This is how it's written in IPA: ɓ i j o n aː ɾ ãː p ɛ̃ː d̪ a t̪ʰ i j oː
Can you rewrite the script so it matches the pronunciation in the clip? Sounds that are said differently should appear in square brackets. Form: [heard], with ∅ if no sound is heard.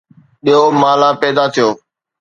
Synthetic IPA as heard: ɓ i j o [m] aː [l] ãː p [ɛː] d̪ a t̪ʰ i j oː